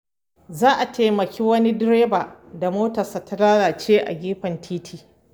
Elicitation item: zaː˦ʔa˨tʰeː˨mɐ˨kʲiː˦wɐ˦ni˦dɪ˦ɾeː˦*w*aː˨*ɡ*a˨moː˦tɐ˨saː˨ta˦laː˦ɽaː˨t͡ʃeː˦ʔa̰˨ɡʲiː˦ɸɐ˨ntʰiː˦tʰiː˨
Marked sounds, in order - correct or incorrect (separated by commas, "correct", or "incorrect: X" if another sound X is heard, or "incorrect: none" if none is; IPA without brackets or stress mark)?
incorrect: b, incorrect: d